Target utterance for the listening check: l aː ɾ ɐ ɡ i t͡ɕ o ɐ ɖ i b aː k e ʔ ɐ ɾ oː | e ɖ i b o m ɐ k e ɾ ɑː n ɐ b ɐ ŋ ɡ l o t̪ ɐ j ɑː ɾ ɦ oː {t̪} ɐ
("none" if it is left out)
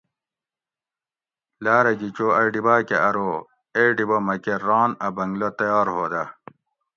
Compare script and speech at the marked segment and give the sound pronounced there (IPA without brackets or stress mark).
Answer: d̪